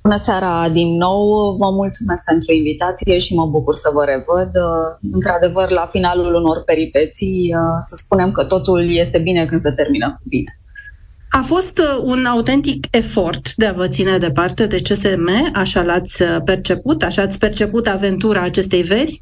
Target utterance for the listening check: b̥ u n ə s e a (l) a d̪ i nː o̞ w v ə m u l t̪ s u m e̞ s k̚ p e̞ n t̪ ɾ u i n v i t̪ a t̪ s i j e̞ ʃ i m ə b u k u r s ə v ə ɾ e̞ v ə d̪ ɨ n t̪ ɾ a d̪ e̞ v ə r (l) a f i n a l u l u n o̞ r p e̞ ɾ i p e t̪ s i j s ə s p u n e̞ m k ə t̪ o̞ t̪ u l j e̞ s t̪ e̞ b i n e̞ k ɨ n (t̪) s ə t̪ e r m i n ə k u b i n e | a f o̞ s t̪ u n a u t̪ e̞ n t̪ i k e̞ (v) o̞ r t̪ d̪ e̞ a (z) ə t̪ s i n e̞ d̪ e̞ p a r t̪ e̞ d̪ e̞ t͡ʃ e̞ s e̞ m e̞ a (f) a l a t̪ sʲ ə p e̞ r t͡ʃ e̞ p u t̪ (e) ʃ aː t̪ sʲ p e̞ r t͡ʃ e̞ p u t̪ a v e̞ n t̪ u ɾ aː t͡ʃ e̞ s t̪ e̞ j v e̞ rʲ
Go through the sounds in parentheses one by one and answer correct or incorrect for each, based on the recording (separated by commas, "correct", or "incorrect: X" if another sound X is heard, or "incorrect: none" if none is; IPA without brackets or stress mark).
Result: incorrect: ɾ, correct, incorrect: d̪, incorrect: f, incorrect: v, incorrect: ʃ, incorrect: a